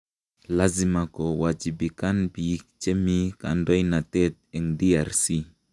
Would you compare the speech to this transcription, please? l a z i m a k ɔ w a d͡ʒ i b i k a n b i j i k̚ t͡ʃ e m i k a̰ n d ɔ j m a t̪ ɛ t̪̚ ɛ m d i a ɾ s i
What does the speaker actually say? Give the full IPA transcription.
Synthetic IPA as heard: l a z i m a k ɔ w a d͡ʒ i b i k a n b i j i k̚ t͡ʃ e m i k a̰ n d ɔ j n a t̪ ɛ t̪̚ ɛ ŋ d i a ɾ s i